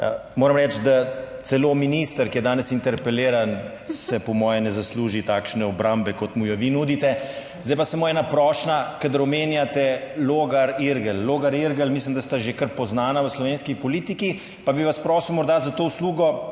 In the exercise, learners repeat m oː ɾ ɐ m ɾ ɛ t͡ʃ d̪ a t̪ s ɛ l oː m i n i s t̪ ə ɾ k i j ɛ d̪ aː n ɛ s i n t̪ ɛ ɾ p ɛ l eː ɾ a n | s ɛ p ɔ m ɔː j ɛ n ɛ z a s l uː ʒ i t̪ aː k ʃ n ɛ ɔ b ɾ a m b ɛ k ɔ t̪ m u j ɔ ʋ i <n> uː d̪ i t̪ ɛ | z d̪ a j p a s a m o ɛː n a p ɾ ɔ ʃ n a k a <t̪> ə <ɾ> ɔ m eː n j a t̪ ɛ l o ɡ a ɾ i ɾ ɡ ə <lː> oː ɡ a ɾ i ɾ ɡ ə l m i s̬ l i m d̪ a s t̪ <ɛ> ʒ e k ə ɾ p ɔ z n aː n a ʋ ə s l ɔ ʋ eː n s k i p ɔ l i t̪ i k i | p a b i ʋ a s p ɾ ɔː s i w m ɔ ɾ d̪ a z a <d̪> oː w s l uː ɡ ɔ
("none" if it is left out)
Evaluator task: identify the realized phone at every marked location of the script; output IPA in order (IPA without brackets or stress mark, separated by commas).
n, d̪, ɾ, lː, a, t̪